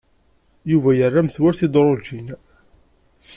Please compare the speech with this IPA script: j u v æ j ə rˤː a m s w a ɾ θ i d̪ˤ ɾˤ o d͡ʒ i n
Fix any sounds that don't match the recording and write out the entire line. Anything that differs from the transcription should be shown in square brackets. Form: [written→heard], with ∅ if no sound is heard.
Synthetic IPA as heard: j u v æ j ə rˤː a m [s→θ] w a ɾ θ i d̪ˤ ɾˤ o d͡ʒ i n